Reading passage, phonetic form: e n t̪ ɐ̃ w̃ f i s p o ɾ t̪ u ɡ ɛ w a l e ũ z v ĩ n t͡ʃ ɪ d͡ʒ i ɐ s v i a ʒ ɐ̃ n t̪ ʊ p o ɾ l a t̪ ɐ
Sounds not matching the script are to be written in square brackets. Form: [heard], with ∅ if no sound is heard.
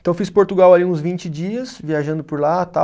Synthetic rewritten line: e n t̪ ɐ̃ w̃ f i s p o ɾ t̪ u ɡ [a] w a l [i] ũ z v ĩ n t͡ʃ ɪ d͡ʒ i ɐ s v i a ʒ ɐ̃ n [d̪] ʊ p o ɾ l a t̪ [a]